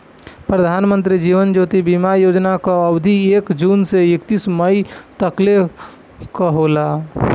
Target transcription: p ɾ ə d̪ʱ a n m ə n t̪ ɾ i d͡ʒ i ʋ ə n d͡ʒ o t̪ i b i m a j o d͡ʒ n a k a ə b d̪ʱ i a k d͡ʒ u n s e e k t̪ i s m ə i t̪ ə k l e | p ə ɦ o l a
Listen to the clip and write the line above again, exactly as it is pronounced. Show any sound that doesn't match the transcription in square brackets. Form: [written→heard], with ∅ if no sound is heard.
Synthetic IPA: p ɾ ə d̪ʱ a n m ə n t̪ ɾ i d͡ʒ i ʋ ə n d͡ʒ o t̪ i b i m a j o d͡ʒ n a k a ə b d̪ʱ i [a→e] k d͡ʒ u n s e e k t̪ i s m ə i t̪ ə k l e | [p→k] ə ɦ o l a